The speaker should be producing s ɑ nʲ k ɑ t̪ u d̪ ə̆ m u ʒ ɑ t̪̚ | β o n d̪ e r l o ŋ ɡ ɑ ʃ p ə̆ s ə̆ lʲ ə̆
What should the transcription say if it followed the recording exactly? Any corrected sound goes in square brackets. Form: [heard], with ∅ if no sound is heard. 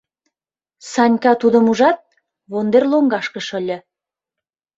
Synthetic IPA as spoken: s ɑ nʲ k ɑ t̪ u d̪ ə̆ m u ʒ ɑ t̪̚ | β o n d̪ e r l o ŋ ɡ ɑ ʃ [k] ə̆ [ʃ] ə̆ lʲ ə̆